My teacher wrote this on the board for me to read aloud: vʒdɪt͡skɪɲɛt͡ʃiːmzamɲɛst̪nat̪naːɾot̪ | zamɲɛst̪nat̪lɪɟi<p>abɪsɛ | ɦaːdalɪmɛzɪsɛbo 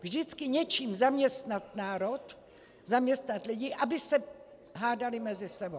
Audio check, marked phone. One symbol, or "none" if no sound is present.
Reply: ʔ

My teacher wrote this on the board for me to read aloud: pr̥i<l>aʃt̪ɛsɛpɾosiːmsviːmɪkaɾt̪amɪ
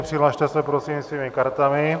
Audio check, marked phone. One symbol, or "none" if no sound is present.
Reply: l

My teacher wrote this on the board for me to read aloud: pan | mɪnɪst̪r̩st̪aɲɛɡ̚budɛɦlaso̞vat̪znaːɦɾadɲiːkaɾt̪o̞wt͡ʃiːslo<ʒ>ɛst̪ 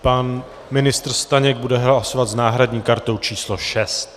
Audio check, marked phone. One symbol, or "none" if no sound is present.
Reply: ʃ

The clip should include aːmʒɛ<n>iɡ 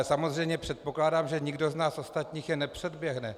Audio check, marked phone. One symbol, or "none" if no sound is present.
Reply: ɲ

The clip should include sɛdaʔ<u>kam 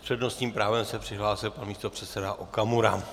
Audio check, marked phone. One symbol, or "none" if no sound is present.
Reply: o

